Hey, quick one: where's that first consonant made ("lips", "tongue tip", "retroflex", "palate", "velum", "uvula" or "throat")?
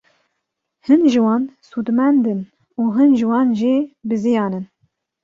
throat